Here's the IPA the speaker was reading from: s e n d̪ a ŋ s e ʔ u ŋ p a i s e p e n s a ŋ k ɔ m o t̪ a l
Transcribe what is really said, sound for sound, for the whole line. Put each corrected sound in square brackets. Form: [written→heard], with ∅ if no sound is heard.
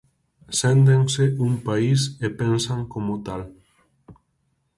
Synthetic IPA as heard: s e n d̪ [a→e] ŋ s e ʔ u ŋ p a i s e p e n s a ŋ k [ɔ→o] m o t̪ a l